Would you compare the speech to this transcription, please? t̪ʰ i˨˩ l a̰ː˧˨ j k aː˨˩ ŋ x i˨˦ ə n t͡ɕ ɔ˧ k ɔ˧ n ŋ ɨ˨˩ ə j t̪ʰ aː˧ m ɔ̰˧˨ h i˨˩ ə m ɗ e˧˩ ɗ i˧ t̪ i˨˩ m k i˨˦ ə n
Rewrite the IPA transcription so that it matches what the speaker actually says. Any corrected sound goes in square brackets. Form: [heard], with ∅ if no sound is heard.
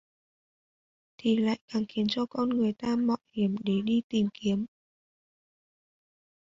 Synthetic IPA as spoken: t̪ʰ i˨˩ l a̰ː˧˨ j k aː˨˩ ŋ x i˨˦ ə n t͡ɕ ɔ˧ k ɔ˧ n ŋ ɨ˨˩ ə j [t̪] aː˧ m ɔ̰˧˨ h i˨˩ ə m ɗ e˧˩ ɗ i˧ t̪ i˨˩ m k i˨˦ ə [m]